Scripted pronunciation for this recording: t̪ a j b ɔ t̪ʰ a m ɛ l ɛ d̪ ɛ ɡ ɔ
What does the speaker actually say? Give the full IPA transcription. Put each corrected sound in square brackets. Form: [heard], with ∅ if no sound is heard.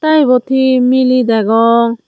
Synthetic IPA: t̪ a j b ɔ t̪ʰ [i] m [i] l [i] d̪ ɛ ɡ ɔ